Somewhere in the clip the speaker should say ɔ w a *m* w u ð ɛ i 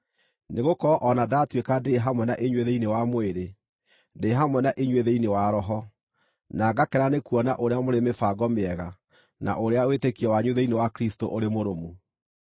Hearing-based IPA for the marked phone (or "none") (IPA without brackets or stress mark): ɲ